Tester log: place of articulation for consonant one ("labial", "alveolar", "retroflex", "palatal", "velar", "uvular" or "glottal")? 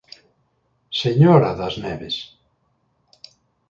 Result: alveolar